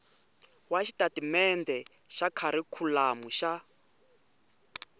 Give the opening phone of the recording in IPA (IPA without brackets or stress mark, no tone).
w